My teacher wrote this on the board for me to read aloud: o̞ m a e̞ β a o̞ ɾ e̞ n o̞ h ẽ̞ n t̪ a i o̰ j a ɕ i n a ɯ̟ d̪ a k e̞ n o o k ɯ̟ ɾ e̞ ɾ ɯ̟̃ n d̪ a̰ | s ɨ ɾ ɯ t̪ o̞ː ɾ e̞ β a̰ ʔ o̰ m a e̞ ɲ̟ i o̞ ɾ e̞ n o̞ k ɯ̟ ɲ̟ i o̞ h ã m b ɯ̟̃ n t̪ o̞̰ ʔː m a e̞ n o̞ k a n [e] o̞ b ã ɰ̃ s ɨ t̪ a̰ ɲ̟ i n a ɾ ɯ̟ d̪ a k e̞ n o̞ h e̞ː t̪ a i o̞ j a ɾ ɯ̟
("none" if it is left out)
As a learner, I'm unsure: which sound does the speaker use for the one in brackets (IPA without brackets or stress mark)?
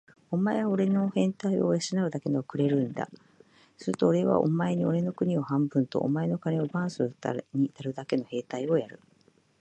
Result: e